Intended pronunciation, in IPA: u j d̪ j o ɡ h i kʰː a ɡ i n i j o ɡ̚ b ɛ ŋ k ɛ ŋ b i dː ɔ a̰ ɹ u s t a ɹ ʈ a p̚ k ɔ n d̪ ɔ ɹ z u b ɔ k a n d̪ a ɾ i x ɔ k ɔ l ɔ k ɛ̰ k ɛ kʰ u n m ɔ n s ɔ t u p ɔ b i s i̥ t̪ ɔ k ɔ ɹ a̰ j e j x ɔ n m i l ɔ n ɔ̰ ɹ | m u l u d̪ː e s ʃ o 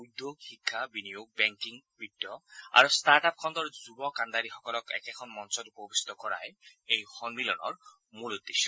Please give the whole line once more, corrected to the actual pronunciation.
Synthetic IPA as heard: u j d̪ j o ɡ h i kʰː a b i n i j o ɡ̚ b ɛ ŋ k i ŋ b i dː ɔ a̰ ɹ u s t a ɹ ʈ a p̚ kʰ ɔ n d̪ ɔ ɹ z u b ɔ k a n d̪ a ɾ i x ɔ k ɔ l ɔ k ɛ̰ k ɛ kʰ ɔ n m ɔ n s ɔ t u p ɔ b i s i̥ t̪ ɔ k ɔ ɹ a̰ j e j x ɔ n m i l ɔ n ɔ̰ ɹ | m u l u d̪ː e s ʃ ɔ